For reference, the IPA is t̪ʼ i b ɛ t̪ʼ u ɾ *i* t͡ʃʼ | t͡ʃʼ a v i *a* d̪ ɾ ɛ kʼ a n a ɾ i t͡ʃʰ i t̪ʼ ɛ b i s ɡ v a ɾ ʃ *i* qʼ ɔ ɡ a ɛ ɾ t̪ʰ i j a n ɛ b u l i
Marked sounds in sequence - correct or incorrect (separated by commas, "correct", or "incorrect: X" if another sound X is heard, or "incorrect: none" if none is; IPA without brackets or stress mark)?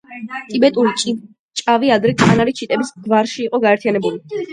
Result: correct, correct, incorrect: iː